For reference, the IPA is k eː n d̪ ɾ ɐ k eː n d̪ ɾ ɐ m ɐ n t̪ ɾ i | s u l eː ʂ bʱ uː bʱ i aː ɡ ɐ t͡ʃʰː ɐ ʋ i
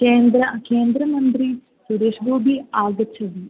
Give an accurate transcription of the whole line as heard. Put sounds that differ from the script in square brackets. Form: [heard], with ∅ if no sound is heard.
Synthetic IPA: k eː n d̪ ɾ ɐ k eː n d̪ ɾ ɐ m ɐ n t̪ ɾ i | s u [ɾ] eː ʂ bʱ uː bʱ i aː ɡ ɐ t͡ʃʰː ɐ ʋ i